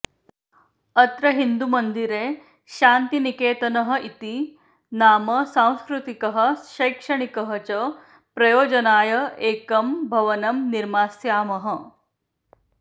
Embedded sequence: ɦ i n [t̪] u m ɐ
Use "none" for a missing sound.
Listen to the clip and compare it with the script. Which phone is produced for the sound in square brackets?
d̪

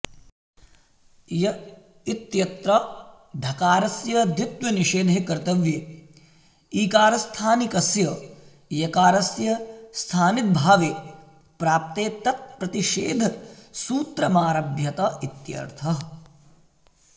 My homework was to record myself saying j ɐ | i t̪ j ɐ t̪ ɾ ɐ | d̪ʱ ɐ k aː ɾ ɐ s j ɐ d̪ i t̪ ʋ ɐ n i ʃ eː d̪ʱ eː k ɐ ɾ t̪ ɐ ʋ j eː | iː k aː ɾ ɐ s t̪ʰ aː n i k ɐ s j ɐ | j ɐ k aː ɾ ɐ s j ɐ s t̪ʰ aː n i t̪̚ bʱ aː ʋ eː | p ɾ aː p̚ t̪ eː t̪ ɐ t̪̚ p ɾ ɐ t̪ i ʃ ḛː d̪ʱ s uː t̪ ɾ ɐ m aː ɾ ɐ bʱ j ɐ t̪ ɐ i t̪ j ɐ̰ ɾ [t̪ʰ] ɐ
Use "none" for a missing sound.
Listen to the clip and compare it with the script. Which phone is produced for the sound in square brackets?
t̪ʰ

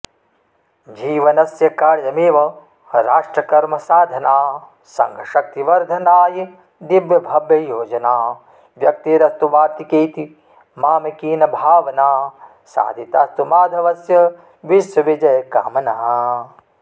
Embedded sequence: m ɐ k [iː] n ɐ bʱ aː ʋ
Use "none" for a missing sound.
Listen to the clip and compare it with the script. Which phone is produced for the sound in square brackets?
iː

